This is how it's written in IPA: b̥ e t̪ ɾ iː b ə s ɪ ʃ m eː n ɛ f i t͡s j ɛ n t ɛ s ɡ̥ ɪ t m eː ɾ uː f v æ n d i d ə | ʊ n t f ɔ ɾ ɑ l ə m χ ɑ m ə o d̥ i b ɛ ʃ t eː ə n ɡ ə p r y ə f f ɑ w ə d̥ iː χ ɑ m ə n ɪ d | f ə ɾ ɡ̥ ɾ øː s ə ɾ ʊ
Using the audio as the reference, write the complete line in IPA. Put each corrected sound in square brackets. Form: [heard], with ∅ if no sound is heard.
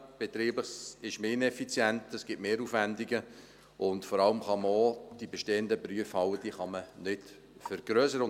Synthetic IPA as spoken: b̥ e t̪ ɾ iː b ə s ɪ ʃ m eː n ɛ f i t͡s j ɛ n t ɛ s ɡ̥ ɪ t m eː ɾ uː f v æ n d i [ɡ] ə | ʊ n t f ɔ ɾ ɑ l ə m χ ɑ m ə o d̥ i b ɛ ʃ t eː ə n [d] ə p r y ə f [h] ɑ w ə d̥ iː χ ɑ m ə n ɪ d | f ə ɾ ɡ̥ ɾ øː s ə ɾ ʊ